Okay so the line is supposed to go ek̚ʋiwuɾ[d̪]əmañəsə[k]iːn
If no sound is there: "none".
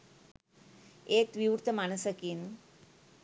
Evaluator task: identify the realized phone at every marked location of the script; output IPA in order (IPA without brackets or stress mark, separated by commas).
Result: t̪, k